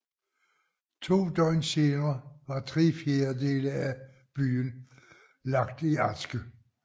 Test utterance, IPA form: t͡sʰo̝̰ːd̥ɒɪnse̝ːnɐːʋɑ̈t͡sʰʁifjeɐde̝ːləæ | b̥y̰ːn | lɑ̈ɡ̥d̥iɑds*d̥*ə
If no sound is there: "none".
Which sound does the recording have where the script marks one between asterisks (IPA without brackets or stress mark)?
ɡ̥